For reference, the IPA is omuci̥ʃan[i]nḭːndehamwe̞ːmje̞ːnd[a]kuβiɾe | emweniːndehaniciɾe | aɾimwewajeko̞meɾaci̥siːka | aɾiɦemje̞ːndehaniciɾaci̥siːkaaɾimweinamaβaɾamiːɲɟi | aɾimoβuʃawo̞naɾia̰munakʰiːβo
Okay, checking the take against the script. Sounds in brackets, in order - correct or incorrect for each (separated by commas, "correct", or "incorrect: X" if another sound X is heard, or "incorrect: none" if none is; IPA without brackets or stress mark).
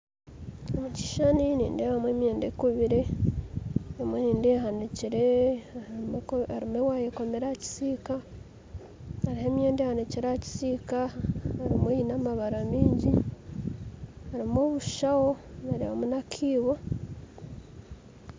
correct, incorrect: e